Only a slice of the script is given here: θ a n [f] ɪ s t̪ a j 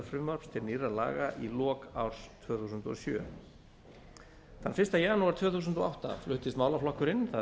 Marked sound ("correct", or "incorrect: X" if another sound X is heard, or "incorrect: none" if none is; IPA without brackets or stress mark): correct